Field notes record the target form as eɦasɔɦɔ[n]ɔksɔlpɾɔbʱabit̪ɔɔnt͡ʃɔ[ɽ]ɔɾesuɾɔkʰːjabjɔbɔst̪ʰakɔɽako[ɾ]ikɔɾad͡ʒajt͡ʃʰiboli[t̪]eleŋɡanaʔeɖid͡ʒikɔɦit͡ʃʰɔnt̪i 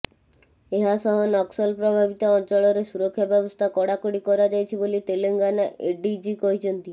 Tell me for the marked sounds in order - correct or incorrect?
correct, incorrect: ɭ, incorrect: ɽ, correct

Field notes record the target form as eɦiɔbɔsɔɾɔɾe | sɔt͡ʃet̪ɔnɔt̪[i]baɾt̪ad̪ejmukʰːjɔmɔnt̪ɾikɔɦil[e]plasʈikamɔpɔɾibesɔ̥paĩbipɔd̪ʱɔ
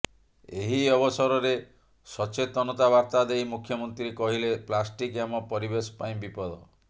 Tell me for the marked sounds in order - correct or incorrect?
incorrect: a, correct

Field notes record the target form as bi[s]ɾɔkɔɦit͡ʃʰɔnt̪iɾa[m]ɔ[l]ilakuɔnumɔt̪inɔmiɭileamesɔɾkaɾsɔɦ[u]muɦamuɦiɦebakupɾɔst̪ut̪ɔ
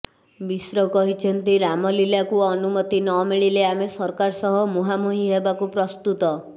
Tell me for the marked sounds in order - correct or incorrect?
correct, correct, correct, incorrect: ɔ

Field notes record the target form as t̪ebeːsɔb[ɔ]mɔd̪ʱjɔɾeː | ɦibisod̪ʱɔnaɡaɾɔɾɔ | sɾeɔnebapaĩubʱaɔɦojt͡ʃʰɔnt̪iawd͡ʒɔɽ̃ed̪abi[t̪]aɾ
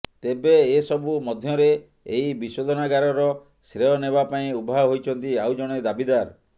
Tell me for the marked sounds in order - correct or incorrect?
incorrect: u, incorrect: d̪

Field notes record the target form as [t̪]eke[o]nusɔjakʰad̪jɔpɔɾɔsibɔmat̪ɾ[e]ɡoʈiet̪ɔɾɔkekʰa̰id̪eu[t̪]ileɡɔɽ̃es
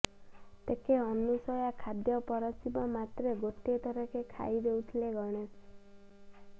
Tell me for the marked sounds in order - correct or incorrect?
correct, incorrect: ɔ, correct, incorrect: t̪ʰ

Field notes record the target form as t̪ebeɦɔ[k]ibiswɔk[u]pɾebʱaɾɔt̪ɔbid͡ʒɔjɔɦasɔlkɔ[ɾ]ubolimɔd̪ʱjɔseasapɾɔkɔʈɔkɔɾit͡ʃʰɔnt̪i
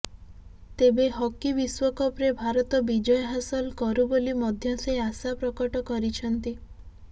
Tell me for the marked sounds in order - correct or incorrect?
correct, incorrect: ɔ, correct

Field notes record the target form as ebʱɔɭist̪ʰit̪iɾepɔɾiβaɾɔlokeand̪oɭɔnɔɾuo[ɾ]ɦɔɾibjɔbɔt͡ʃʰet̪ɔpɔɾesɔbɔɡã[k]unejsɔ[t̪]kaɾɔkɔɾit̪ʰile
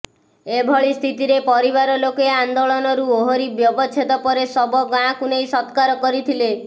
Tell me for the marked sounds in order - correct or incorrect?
incorrect: none, correct, correct

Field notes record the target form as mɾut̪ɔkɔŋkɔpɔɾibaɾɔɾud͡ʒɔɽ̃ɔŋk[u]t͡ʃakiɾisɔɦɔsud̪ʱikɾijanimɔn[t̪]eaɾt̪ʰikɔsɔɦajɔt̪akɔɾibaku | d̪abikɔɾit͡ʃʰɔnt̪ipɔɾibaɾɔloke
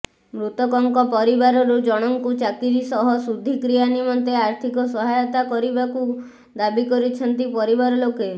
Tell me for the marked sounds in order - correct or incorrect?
correct, correct

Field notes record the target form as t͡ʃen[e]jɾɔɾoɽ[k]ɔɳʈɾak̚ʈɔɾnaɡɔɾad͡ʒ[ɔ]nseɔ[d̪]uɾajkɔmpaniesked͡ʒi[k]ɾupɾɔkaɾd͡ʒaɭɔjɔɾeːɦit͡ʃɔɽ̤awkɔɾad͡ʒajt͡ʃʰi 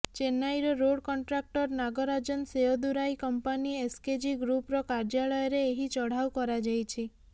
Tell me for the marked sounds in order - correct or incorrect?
incorrect: a, correct, correct, correct, incorrect: ɡ

